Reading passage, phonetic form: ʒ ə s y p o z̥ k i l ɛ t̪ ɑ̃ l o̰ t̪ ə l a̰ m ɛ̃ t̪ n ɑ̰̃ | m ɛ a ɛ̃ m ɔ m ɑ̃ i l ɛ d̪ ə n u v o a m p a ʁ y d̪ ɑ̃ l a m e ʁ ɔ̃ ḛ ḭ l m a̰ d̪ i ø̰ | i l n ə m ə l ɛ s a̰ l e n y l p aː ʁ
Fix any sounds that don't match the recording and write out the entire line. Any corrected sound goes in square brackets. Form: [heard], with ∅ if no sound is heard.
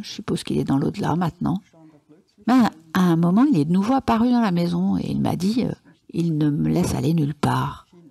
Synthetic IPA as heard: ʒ ə s y p o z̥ k i l ɛ [d̪] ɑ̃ l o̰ [d̪] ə l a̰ m ɛ̃ t̪ n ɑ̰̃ | m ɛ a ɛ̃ m ɔ m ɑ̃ i l ɛ d̪ ə n u v o a [∅] p a ʁ y d̪ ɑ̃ l a m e [z] ɔ̃ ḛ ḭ l m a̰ d̪ i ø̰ | i l n ə m ə l ɛ s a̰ l e n y l p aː ʁ

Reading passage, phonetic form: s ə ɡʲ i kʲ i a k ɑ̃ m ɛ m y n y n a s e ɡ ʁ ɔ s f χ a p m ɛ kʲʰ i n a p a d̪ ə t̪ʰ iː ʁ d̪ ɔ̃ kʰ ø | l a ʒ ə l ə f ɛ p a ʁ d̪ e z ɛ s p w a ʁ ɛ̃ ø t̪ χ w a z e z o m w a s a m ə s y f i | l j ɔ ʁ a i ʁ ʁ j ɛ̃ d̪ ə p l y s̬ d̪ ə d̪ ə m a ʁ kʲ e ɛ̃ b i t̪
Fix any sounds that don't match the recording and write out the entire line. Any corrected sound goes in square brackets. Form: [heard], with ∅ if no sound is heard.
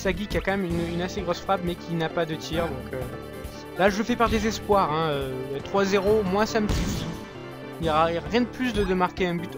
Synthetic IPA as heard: s [a] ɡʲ i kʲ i a k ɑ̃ m ɛ m y n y n a s e ɡ ʁ ɔ s f χ a p m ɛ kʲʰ i n a p a d̪ ə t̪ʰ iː ʁ d̪ ɔ̃ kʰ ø | l a ʒ ə l ə f ɛ p a ʁ d̪ e z ɛ s p w a ʁ ɛ̃ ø t̪ χ w a z e [ʁ] o m w a s a m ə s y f i | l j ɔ ʁ a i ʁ ʁ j ɛ̃ d̪ ə p l y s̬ d̪ ə d̪ ə m a ʁ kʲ e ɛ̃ b [y] t̪

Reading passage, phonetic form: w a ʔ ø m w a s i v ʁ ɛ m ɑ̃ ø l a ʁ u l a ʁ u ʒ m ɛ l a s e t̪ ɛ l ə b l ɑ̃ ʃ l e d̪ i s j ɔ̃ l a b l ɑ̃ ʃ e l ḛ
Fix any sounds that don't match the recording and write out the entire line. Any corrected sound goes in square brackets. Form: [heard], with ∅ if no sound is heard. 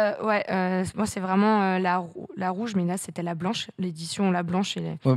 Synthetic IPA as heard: w [ɛ] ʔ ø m w a s [ɛ] v ʁ ɛ m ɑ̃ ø l a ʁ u l a ʁ u ʒ m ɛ l a s e t̪ ɛ l [a] b l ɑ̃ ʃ l e d̪ i s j ɔ̃ l a b l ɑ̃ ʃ e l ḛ

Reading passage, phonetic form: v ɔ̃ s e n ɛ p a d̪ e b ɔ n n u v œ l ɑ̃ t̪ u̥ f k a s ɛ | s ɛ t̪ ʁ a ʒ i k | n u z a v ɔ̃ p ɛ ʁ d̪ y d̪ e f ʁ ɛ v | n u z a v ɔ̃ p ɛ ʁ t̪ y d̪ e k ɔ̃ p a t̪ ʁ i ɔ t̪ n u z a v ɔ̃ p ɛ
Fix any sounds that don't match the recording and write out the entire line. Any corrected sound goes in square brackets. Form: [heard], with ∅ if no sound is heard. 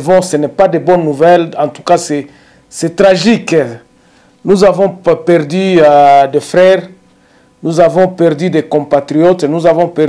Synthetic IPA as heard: v ɔ̃ s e n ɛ p a d̪ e b ɔ n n u v [ɛ] l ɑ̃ t̪ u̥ [∅] k a s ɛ | s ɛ t̪ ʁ a ʒ i k | n u z a v ɔ̃ p ɛ ʁ d̪ y d̪ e f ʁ ɛ [ʁ] | n u z a v ɔ̃ p ɛ ʁ [d̪] y d̪ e k ɔ̃ p a t̪ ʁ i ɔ t̪ n u z a v ɔ̃ p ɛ

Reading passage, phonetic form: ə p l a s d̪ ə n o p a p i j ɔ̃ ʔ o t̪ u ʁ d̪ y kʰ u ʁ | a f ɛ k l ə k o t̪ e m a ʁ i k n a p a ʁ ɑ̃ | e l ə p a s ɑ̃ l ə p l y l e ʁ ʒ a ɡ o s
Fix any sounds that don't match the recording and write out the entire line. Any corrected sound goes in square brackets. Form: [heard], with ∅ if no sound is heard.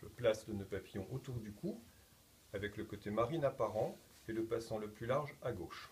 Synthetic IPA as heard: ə p l a s d̪ ə n o p a p i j ɔ̃ ʔ o t̪ u ʁ d̪ y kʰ u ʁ | a [v] ɛ k l ə k o t̪ e m a ʁ i [∅] n a p a ʁ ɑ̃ | e l ə p a s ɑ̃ l ə p l y l [a] ʁ ʒ a ɡ o [ʃ]

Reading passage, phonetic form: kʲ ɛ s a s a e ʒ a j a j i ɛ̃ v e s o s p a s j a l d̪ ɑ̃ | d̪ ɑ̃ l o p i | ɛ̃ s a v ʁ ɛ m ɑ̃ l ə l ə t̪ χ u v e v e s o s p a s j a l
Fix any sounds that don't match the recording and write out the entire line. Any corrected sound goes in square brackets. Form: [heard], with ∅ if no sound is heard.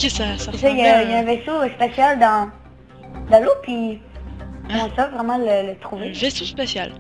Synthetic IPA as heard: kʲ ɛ s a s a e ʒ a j a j [a] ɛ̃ v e s o s p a s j a l d̪ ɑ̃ | d̪ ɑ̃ l o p i | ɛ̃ s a v ʁ ɛ m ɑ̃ l ə l ə t̪ χ u v e v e s o s p a s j a l

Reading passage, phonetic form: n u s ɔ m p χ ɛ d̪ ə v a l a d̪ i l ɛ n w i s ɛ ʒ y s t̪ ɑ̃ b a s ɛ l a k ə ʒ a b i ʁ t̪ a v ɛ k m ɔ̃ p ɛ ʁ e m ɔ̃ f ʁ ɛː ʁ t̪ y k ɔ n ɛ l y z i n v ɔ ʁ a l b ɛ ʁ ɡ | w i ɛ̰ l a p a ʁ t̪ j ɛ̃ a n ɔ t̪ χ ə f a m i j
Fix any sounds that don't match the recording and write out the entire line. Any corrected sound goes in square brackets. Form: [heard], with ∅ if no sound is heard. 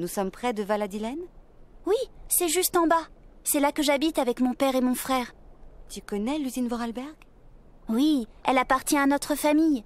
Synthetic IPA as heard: n u s ɔ m p χ ɛ d̪ ə v a l a d̪ i l ɛ n w i s ɛ ʒ y s t̪ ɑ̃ b a s ɛ l a k ə ʒ a b i [∅] t̪ a v ɛ k m ɔ̃ p ɛ ʁ e m ɔ̃ f [χ] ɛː ʁ t̪ y k ɔ n ɛ l y z i n v ɔ ʁ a l b ɛ ʁ ɡ | w i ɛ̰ l a p a ʁ t̪ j ɛ̃ a n ɔ t̪ χ ə f a m i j

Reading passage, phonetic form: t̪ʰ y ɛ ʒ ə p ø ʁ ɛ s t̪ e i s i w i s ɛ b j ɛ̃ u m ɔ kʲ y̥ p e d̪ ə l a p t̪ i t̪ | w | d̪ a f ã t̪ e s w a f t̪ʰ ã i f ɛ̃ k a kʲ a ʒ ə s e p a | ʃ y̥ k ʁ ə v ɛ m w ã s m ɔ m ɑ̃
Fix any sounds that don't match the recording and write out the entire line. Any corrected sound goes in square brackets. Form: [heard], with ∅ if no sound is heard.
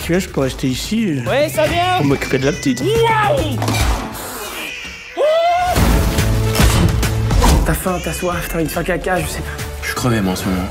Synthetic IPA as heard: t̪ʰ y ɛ ʒ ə p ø ʁ ɛ s t̪ e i s i w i s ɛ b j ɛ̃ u m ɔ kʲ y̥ p e d̪ ə l a p t̪ i t̪ | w | [t̪] a f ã t̪ [a] s w a f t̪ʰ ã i f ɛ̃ k a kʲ a ʒ ə s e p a | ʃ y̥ k [χ] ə v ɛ m w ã s m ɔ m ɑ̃

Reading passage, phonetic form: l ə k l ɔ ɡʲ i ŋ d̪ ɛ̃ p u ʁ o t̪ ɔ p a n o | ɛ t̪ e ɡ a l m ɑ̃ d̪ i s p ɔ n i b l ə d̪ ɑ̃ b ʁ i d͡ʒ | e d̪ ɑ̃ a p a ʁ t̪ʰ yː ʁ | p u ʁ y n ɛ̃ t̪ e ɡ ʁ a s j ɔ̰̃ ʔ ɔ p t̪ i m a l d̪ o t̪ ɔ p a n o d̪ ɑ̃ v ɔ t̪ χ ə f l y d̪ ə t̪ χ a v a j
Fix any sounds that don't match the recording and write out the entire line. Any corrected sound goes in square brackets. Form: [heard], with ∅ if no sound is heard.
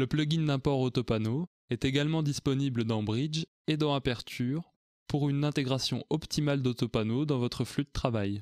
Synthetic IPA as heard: l ə [p] l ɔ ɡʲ i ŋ d̪ ɛ̃ p [ɔ] ʁ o t̪ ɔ p a n o | ɛ t̪ e ɡ a l m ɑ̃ d̪ i s p ɔ n i b l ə d̪ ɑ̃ b ʁ i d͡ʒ | e d̪ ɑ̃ a p [ɛ] ʁ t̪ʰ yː ʁ | p u ʁ y n ɛ̃ t̪ e ɡ ʁ a s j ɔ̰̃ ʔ ɔ p t̪ i m a l d̪ o t̪ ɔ p a n o d̪ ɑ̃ v ɔ t̪ χ ə f l y d̪ ə t̪ χ a v a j

